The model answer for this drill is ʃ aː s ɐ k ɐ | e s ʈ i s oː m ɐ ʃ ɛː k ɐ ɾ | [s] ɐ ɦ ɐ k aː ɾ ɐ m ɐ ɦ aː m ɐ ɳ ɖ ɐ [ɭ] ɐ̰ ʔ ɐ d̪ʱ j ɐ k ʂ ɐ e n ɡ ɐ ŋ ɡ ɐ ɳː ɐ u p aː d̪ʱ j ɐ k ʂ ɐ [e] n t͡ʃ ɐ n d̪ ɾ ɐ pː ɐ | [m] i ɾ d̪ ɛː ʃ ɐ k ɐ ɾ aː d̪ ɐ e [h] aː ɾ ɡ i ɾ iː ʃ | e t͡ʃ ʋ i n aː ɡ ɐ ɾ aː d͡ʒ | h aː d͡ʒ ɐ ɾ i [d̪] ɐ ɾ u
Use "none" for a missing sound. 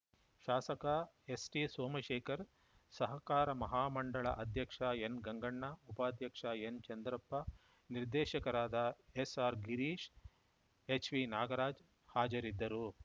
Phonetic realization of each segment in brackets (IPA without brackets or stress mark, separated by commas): s, ɭ, e, n, s, d̪ː